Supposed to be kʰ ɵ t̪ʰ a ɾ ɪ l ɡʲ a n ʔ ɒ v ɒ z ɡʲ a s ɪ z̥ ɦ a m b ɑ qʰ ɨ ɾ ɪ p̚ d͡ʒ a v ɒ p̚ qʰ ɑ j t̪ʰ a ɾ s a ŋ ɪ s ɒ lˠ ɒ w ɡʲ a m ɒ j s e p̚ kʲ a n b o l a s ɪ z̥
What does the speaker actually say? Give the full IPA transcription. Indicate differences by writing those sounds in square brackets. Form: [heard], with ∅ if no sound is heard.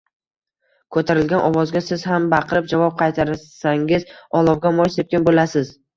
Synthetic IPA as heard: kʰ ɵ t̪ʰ a ɾ ɪ l ɡʲ a n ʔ ɒ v ɒ z ɡʲ a s ɪ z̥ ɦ a m b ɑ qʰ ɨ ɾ ɪ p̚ d͡ʒ a v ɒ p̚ qʰ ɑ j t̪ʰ a ɾ s a ŋ ɪ [z] ɒ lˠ ɒ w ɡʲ a m ɒ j s e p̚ kʲ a n b o l a s ɪ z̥